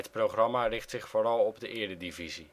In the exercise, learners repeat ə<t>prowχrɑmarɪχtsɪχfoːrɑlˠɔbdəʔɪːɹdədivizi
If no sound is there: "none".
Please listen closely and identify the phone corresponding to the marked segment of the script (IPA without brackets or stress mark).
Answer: t